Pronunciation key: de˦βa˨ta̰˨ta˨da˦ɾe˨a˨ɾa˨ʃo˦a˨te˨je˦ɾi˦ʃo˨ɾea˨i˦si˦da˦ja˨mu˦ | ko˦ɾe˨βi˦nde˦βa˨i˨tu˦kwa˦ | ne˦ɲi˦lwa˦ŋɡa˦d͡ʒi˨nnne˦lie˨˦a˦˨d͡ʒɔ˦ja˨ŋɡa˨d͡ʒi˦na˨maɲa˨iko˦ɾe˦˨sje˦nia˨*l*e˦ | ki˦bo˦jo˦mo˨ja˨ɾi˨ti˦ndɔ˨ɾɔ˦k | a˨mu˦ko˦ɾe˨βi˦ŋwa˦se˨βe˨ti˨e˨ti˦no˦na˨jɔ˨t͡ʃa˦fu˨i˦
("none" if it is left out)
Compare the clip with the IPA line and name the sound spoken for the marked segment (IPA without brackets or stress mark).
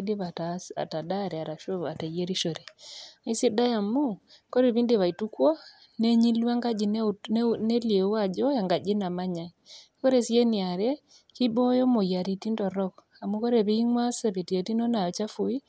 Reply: ɾ